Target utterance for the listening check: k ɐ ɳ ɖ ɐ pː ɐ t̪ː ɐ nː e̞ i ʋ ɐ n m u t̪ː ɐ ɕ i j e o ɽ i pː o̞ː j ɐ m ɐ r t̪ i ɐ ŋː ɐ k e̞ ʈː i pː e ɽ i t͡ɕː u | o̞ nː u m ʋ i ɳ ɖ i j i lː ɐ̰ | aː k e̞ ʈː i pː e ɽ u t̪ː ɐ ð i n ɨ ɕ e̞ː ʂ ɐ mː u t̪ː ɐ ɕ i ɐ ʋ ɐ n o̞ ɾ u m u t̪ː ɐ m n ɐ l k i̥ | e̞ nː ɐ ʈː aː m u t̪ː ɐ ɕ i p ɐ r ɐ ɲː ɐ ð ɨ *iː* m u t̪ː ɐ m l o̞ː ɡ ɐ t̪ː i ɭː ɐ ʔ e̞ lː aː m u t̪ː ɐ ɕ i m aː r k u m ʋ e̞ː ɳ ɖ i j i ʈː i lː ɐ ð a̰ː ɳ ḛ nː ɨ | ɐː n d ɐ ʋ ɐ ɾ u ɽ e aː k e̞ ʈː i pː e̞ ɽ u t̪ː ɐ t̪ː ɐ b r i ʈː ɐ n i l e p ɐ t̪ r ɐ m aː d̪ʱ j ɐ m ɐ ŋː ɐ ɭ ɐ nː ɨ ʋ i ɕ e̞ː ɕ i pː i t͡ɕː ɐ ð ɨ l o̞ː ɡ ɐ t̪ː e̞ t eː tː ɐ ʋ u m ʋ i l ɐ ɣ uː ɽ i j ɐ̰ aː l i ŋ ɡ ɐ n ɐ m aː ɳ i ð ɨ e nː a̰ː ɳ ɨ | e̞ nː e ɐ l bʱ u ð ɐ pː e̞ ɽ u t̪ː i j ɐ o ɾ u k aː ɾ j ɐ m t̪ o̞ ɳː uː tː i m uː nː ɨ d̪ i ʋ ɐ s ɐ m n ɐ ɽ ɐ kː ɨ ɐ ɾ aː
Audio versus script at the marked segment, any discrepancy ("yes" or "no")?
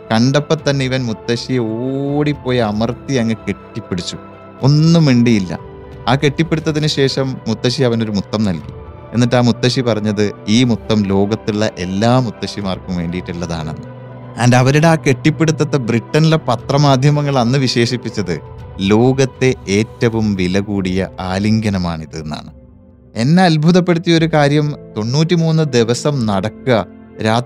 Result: no